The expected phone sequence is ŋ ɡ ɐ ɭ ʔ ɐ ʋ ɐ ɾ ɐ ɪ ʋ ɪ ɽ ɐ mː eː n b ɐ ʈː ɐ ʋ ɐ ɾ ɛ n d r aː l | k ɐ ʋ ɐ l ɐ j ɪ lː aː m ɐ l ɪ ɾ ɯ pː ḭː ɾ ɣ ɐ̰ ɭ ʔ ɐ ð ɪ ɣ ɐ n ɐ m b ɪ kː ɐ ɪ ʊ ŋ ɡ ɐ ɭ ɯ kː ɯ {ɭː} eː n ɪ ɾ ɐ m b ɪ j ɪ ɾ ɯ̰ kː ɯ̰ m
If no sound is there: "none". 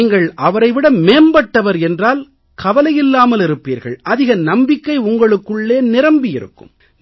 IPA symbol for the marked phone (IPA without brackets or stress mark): ɭː